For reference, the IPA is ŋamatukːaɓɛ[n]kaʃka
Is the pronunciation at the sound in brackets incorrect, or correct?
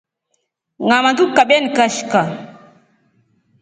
correct